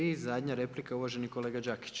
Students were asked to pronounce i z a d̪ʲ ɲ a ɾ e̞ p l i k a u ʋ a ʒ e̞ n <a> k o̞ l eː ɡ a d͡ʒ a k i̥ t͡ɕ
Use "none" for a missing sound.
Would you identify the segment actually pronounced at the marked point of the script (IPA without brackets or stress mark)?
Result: i